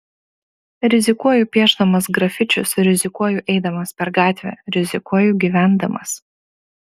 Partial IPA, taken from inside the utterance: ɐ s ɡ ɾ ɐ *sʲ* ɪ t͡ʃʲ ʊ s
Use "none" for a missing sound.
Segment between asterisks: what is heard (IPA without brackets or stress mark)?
fʲ